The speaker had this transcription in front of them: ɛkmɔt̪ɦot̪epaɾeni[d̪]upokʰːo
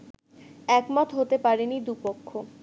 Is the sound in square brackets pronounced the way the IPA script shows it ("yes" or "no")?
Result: yes